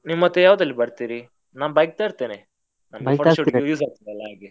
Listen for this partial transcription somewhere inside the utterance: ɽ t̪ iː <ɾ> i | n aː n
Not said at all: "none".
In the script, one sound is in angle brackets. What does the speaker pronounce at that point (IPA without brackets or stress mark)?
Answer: ɾ